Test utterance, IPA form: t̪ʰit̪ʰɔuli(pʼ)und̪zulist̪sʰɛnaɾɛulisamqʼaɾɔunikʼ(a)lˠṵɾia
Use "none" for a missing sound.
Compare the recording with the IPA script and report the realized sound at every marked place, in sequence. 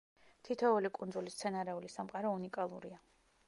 kʼ, a

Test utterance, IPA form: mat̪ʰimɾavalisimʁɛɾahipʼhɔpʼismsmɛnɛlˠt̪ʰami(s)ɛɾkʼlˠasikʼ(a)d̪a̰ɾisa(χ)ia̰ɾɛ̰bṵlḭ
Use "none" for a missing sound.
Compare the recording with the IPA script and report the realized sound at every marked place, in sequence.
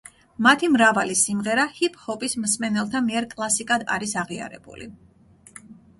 none, a, ʁ

